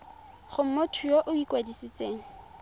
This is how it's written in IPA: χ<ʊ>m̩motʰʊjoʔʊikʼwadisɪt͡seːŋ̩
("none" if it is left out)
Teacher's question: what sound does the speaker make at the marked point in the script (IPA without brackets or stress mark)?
ʊ